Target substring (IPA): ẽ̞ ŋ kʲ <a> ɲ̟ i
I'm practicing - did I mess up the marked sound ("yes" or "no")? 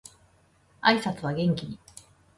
yes